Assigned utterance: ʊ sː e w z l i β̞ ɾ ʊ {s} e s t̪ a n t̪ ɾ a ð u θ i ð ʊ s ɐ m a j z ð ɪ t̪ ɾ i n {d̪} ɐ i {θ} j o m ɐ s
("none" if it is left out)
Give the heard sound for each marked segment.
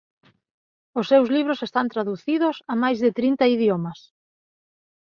s, t̪, ð

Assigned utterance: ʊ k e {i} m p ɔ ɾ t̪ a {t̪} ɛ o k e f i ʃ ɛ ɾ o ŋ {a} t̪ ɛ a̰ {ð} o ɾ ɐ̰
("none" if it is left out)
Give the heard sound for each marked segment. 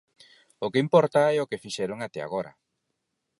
i, none, a, ɣ

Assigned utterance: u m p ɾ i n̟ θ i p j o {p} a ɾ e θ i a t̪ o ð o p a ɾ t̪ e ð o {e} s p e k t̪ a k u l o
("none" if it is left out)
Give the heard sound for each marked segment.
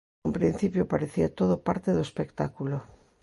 p, e

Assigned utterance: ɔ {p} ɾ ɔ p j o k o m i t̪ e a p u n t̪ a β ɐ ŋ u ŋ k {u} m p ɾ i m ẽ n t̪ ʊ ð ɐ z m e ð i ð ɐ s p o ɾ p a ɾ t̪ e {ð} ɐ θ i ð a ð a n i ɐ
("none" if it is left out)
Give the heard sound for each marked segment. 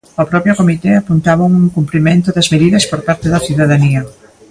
p, u, ð

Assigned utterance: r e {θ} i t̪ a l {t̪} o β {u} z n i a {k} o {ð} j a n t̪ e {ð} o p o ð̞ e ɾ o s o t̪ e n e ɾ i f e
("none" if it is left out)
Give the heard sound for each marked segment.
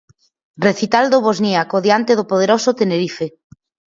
θ, d̪, o, k, ð, ð

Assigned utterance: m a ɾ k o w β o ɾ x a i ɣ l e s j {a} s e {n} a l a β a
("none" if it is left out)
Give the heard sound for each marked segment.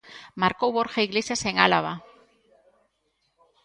a, ŋ

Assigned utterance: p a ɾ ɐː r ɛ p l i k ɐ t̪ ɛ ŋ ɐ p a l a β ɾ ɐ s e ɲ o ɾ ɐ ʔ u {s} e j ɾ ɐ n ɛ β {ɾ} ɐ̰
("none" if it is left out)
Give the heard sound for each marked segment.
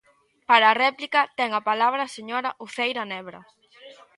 θ, ɾ

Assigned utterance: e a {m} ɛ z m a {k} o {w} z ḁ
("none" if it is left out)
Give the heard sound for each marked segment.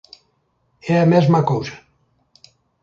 m, k, w

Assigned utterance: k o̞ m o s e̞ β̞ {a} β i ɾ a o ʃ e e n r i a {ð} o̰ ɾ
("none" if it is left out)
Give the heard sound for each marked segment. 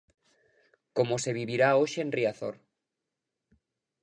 i, θ

